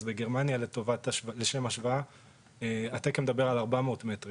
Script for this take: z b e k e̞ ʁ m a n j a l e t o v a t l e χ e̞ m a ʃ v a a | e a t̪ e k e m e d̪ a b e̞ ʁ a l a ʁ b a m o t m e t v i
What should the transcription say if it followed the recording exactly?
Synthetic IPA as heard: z b e ɡ e̞ ʁ m a n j a l e t o v a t l e ʃ e̞ m a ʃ v a a | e a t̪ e k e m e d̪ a b e̞ ʁ a l a ʁ b a m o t m e t ʁ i